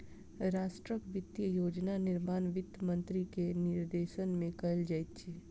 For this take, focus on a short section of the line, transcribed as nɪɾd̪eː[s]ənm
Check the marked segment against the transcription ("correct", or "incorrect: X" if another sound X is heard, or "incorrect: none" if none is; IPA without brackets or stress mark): incorrect: ʃ